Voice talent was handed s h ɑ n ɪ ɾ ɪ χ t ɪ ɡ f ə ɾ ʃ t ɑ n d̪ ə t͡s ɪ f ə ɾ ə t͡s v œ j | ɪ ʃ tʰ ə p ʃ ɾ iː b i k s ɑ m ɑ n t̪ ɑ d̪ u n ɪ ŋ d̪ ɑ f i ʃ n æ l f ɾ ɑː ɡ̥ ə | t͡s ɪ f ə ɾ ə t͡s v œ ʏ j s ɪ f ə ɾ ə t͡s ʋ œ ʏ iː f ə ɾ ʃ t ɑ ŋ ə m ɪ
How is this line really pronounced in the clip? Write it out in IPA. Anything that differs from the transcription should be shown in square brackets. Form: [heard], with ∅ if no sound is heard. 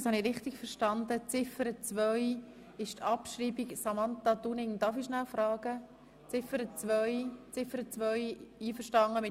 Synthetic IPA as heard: s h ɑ n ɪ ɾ ɪ χ t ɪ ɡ f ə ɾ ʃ t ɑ n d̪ ə t͡s ɪ f ə ɾ ə t͡s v œ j | ɪ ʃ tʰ [ɑ] p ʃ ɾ iː b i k s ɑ m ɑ n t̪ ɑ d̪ u n ɪ ŋ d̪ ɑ f i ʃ n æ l f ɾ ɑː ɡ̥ ə | t͡s ɪ f ə ɾ ə t͡s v œ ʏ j [t͡s] ɪ f ə ɾ ə t͡s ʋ œ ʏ iː f ə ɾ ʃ t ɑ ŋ ə m ɪ

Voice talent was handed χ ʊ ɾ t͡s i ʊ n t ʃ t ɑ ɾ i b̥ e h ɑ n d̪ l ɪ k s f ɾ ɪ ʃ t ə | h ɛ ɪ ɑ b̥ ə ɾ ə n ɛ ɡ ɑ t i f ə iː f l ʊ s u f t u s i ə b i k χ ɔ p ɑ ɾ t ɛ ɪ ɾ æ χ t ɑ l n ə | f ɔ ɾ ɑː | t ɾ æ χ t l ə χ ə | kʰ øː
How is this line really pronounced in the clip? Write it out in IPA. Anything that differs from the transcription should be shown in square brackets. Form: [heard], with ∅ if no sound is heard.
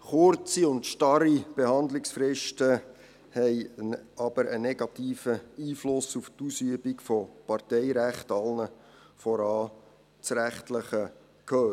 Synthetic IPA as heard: χ ʊ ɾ t͡s i ʊ n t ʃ t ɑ ɾ i b̥ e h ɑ n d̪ l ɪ k s f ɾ ɪ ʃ t ə | h ɛ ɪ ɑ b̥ ə ɾ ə n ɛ ɡ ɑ t [iː] f ə iː f l ʊ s u f t u s [y] ə b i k [f] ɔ p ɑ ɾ t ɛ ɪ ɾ æ χ t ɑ l n ə | f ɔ ɾ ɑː | [t͡s] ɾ æ χ t l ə χ ə | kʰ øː

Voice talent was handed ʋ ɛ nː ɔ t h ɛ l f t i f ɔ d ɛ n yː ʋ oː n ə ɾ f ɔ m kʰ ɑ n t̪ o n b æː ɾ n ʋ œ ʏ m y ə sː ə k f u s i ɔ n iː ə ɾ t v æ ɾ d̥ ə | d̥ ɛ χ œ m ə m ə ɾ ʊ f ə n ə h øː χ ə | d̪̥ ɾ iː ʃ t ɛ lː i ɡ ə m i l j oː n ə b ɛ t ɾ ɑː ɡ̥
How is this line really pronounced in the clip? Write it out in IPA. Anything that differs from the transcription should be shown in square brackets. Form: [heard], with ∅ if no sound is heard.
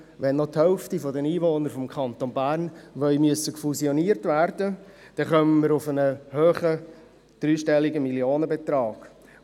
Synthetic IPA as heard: ʋ ɛ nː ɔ t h ɛ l f t i f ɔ d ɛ n [iː] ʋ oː n ə ɾ f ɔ m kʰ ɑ n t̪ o n b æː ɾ n ʋ œ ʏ m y ə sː ə k f u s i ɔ n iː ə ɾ t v æ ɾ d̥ ə | d̥ ɛ χ œ m ə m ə ɾ ʊ f ə n ə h øː χ ə | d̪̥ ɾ [yː] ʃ t ɛ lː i ɡ ə m i l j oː n ə b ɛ t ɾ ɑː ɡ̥

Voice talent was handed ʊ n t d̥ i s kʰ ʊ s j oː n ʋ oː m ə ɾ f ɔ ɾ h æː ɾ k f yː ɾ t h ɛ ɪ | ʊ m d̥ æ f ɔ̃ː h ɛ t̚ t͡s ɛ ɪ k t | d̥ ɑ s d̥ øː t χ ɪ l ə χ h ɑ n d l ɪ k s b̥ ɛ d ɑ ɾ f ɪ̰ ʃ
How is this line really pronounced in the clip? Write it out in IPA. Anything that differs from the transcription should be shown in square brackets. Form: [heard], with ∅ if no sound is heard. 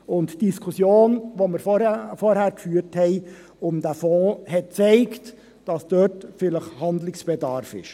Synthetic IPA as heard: ʊ n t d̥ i s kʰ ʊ s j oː n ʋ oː m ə ɾ f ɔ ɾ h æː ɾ k f yː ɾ t h ɛ ɪ | ʊ m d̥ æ f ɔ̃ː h ɛ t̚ t͡s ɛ ɪ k t | d̥ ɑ s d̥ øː t [f] ɪ l ə χ h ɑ n d l ɪ k s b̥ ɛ d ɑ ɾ f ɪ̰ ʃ

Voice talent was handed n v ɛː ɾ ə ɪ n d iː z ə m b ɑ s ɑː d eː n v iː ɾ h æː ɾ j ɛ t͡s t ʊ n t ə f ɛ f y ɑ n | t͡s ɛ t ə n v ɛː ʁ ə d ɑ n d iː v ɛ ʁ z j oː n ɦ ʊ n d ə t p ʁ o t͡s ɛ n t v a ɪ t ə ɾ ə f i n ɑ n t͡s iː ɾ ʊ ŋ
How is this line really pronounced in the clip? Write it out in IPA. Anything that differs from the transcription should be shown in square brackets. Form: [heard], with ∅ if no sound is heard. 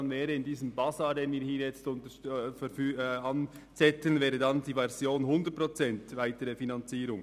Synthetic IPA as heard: n v ɛː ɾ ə ɪ n d iː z ə m b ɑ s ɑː d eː n v iː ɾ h [iː] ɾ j ɛ t͡s t ʊ n t ə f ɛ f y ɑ n | t͡s ɛ t ə n v ɛː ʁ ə d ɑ n d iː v ɛ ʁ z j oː n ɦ ʊ n d ə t p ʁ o t͡s ɛ n t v a ɪ t ə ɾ ə f i n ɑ n t͡s iː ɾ ʊ ŋ

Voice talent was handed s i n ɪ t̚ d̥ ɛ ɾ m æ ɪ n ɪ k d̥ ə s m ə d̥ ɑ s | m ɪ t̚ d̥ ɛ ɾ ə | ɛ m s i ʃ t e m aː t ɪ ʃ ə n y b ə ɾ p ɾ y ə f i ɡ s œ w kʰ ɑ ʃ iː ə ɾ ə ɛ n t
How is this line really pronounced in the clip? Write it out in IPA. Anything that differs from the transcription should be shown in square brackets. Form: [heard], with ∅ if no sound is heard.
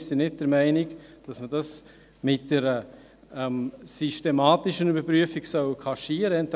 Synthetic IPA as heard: s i n ɪ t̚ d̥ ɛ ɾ m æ ɪ n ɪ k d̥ [ɑ] s m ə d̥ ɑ s | m ɪ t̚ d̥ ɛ ɾ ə | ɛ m s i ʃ t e m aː t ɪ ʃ ə n y b ə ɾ p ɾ y ə f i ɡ s œ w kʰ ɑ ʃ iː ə ɾ ə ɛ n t

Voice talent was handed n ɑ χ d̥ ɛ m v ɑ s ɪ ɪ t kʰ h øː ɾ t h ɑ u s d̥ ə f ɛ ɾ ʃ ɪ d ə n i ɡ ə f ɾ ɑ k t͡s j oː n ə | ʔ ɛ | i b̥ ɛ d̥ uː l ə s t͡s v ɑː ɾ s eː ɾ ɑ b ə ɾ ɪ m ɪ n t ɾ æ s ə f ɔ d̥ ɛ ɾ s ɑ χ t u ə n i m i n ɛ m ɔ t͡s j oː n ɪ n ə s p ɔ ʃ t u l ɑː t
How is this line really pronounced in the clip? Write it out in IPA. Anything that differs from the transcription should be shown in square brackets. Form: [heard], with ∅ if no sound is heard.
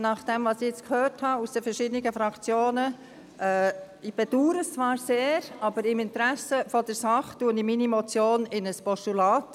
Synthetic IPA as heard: n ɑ χ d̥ ɛ m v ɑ s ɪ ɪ [t͡s] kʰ h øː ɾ t h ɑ u s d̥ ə f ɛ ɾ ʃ ɪ d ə n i ɡ ə f ɾ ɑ k t͡s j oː n ə | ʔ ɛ | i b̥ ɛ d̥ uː [ɾ] ə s t͡s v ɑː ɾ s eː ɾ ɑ b ə ɾ ɪ m ɪ n t ɾ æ s ə f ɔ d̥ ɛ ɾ s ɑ χ t u ə n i m i n [i] m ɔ t͡s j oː n ɪ n ə s p ɔ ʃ t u l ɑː t

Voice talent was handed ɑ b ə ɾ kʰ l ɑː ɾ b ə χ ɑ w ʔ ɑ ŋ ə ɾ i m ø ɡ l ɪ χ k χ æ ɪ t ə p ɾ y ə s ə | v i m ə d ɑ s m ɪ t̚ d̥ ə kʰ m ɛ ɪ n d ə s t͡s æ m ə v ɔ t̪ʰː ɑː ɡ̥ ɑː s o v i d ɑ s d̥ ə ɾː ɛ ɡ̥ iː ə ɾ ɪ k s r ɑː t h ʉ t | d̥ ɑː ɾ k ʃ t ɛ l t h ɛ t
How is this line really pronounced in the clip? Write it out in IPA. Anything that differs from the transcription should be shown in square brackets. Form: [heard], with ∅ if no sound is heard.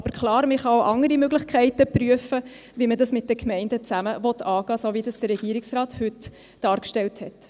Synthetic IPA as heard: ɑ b ə ɾ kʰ l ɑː ɾ [m] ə χ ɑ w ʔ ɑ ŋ ə ɾ i m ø ɡ l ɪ χ k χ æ ɪ t ə p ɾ y ə [f] ə | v i m ə d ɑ s m ɪ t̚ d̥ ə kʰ m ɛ ɪ n d ə [∅] t͡s æ m ə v ɔ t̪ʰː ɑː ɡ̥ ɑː s o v i d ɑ s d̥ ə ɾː ɛ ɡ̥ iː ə ɾ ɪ k s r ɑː t h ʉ t | d̥ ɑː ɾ k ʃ t ɛ l t h ɛ t

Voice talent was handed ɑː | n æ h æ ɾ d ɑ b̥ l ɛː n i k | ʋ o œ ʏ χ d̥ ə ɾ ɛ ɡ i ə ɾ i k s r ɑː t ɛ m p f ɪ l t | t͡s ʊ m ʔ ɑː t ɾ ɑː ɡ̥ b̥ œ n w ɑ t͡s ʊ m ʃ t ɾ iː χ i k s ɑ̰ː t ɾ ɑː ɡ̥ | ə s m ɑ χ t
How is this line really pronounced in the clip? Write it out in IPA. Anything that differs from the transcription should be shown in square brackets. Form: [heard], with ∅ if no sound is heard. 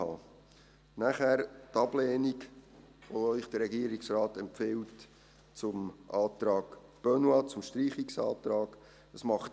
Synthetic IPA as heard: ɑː | n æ [χ] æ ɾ [t] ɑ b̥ l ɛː n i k | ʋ o œ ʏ χ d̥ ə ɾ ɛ ɡ i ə ɾ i k s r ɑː t ɛ m p f ɪ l t | t͡s ʊ m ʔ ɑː t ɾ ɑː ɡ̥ b̥ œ n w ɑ t͡s ʊ m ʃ t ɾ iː χ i k s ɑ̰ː t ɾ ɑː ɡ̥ | ə s m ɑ χ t

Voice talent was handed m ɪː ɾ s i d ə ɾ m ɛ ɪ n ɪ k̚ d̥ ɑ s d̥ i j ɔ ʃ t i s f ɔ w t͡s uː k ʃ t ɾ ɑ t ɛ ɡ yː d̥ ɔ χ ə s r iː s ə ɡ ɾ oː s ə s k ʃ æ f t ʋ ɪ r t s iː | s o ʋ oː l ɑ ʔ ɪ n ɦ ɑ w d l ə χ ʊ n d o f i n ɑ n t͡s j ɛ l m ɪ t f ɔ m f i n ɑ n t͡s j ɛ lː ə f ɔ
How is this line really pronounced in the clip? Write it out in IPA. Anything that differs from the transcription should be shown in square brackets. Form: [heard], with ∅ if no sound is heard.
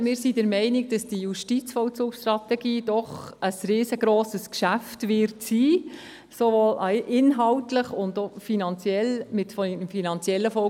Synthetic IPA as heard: m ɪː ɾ s i d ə ɾ m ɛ ɪ n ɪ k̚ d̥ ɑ s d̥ i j [u] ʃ t i [t͡s] f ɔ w t͡s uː k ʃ t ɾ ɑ t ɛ ɡ [iː] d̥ ɔ χ ə s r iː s ə ɡ ɾ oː s ə s k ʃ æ f t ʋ ɪ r t s iː | s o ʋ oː l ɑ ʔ ɪ n ɦ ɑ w [t] l ə χ ʊ n d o f i n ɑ n t͡s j ɛ l m ɪ t f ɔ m f i n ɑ n t͡s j ɛ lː ə f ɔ

